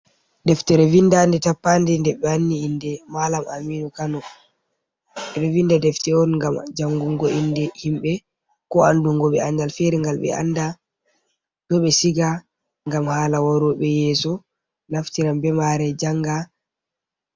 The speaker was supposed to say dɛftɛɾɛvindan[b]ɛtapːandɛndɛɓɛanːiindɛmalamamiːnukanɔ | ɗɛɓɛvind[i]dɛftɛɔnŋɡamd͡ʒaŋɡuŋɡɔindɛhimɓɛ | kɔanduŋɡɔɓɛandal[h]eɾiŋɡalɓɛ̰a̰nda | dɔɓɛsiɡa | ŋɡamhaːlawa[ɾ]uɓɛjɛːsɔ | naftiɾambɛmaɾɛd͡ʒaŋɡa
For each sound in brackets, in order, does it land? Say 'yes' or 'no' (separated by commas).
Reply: no, no, no, yes